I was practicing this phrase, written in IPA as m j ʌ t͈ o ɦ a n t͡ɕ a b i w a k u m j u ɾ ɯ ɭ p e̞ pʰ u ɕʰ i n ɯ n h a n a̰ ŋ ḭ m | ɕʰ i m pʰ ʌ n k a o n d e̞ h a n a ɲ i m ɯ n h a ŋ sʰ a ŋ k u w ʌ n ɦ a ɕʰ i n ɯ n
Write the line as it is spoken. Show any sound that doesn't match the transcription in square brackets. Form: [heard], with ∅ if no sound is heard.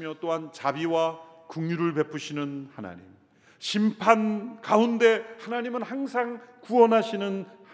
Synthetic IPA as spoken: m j ʌ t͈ o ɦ a n t͡ɕ a b i w a k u [ŋ] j u ɾ ɯ ɭ p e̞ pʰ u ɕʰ i n ɯ n h a n a̰ [ɲ] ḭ m | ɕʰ i m pʰ [a] n k a [u] n d e̞ h a n a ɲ i m ɯ n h a ŋ sʰ a ŋ k u w ʌ n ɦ a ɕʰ i n ɯ n